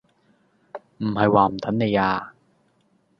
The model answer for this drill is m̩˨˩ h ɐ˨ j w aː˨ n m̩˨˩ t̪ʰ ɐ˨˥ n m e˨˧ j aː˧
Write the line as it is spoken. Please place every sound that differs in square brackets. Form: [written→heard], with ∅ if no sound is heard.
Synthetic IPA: m̩˨˩ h ɐ˨ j w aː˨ [n→∅] m̩˨˩ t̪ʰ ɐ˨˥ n [m→n] e˨˧ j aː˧

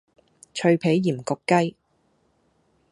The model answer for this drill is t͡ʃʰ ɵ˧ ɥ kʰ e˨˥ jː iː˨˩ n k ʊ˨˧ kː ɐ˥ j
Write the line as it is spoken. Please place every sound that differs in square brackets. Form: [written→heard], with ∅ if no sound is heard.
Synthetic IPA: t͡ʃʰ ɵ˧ ɥ [kʰ→pʰ] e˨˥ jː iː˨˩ [n→m] k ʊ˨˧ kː ɐ˥ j

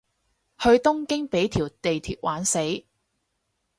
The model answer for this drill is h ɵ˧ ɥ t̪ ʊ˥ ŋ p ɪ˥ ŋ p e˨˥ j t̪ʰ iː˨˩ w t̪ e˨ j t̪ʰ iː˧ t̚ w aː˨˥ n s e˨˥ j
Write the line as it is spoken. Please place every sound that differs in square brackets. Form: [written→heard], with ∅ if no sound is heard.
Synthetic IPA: h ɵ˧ ɥ t̪ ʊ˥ ŋ [p→k] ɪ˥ ŋ p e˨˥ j t̪ʰ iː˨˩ w t̪ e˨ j t̪ʰ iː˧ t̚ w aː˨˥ n s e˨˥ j

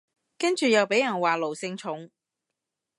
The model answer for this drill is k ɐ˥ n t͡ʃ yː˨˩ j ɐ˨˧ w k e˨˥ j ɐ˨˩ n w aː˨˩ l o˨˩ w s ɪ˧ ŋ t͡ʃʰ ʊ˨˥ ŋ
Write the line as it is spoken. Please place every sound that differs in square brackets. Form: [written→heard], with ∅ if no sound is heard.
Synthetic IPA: k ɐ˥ n t͡ʃ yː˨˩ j ɐ˨˧ w [k→p] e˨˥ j ɐ˨˩ n w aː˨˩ l o˨˩ w s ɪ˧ ŋ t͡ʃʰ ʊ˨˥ ŋ

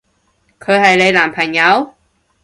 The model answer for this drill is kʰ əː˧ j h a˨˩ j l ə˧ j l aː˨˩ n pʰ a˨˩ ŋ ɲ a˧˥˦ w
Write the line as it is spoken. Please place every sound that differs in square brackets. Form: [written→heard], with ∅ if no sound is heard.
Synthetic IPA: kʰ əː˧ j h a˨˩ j l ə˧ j l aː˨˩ [n→m] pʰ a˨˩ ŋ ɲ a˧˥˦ w

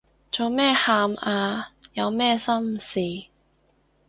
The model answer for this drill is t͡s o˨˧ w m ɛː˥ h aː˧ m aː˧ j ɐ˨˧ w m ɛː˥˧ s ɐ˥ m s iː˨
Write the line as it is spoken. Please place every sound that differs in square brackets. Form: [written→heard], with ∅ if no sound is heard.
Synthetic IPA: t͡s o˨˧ w m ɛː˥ h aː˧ m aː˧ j ɐ˨˧ w m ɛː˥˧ s ɐ˥ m s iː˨

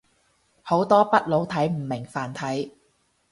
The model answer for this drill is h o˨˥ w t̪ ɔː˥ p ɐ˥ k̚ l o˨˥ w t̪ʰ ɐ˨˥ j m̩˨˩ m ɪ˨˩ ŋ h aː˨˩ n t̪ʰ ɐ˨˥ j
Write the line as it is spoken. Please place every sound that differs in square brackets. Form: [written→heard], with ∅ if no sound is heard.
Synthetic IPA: h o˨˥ w t̪ ɔː˥ p ɐ˥ [k̚→t̚] l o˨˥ w t̪ʰ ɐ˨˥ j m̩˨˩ m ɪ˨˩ ŋ [h→f] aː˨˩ n t̪ʰ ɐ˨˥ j

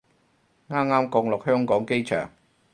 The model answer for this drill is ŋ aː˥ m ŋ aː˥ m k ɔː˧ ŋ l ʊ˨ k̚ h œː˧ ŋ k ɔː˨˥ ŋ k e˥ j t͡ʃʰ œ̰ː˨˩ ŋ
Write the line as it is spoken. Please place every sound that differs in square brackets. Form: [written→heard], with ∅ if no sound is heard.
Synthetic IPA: ŋ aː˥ m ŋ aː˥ m k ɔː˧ ŋ l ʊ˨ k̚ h [œː˧→œː˥] ŋ k ɔː˨˥ ŋ k e˥ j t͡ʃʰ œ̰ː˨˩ ŋ

